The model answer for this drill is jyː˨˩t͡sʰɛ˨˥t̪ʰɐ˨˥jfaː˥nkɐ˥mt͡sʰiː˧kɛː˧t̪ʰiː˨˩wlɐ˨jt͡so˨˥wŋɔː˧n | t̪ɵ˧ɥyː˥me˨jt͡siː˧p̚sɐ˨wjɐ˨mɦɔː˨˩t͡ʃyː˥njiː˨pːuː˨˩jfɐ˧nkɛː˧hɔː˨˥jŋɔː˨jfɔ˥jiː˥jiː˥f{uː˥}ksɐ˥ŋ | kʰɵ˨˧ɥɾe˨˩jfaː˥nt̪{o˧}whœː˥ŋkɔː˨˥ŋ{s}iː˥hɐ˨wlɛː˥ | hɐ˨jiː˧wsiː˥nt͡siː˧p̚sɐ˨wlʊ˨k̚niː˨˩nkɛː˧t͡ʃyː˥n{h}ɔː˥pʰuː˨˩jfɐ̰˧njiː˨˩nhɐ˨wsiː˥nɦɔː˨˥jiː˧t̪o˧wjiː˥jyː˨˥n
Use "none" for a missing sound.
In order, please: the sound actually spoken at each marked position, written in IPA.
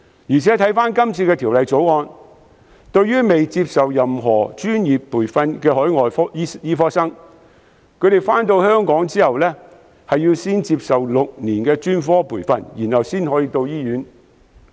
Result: ɔː˥, o˧, t͡s, f

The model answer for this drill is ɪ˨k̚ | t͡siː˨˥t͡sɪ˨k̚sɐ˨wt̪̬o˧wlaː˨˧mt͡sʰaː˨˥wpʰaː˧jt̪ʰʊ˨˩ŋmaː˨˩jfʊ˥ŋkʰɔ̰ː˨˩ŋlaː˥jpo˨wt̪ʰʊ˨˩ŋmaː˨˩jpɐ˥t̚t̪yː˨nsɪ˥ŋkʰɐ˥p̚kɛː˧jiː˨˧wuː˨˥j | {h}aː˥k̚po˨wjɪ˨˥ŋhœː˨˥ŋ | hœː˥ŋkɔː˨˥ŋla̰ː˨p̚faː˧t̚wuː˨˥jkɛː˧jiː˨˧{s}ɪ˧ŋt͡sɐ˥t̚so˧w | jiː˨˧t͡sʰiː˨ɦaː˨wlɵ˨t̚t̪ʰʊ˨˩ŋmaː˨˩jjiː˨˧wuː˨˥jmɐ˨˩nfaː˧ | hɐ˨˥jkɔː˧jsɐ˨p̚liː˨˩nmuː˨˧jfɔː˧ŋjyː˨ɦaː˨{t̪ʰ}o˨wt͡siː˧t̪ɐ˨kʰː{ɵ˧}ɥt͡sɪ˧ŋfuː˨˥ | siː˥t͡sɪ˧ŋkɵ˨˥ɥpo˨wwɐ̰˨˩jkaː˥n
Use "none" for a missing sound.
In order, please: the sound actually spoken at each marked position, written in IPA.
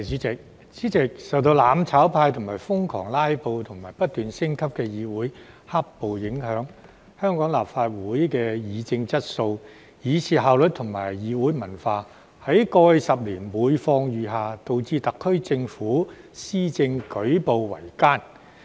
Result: h, t͡s, t̪, ɵ˥

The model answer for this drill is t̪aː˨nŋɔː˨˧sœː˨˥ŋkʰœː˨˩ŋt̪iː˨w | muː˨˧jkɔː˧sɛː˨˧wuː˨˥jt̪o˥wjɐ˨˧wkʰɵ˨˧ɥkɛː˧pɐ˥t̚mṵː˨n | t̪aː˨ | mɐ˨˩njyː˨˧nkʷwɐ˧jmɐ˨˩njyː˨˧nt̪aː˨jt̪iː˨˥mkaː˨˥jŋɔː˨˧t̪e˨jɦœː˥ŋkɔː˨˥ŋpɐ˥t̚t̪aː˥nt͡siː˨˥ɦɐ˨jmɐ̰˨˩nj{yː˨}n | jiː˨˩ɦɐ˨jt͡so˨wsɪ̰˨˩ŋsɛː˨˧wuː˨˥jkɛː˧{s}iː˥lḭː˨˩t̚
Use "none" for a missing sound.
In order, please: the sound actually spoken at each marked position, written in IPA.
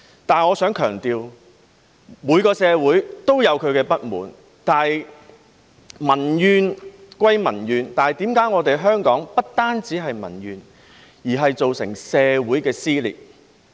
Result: yː˨, s

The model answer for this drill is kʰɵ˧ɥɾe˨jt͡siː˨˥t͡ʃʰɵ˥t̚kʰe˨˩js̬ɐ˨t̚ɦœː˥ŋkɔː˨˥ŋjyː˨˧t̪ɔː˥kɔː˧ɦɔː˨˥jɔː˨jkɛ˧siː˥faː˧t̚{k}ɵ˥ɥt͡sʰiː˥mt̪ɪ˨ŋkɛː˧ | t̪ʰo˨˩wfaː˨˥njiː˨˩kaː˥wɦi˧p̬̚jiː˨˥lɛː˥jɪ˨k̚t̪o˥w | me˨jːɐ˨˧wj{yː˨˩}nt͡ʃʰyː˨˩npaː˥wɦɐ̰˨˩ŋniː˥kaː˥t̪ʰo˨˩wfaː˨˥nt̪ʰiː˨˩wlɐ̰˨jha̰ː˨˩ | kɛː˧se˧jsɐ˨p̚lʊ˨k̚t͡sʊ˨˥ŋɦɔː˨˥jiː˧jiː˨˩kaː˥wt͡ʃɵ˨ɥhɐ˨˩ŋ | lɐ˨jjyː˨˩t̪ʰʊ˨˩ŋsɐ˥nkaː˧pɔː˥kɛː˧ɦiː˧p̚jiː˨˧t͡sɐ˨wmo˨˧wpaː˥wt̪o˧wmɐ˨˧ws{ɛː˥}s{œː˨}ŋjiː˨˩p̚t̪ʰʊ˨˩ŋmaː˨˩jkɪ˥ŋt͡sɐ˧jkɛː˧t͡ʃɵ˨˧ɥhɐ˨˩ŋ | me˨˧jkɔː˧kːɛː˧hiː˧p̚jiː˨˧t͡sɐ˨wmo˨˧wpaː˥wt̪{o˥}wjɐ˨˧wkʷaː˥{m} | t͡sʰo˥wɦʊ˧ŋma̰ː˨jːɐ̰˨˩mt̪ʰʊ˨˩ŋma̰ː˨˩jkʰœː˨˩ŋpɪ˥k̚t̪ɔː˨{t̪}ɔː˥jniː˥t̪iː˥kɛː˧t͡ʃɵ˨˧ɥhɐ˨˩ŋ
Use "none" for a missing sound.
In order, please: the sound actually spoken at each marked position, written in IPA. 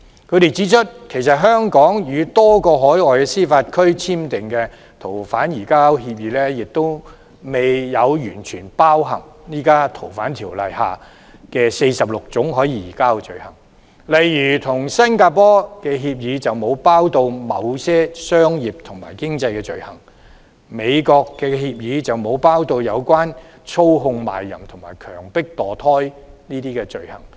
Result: kʰ, yː˨˩, ɛː˥, œː˥, o˧, n, t̪ʰ

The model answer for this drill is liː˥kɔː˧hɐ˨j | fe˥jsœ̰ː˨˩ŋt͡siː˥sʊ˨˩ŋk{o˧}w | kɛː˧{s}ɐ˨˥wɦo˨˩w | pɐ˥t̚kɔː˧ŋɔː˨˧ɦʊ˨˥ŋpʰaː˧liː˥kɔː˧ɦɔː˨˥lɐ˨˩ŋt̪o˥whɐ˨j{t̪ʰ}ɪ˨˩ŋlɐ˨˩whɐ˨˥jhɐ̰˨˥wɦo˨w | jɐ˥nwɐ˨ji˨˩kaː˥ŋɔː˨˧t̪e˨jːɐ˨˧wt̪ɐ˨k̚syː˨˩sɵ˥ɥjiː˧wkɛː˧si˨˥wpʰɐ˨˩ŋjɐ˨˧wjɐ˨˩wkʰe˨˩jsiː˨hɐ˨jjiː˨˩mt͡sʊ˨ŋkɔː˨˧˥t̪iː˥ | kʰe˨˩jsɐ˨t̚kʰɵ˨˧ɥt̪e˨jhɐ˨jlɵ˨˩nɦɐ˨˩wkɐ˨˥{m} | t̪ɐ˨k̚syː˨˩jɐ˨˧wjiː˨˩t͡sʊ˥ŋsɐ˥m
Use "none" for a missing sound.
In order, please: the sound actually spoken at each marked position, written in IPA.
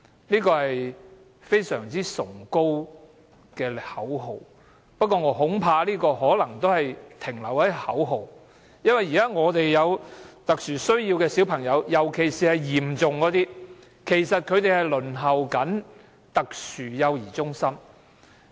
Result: o˥, h, t̪ʰ, n

